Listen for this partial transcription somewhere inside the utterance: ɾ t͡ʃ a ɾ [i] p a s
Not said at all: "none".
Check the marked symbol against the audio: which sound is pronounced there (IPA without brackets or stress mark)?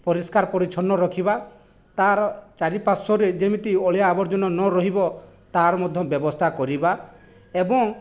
i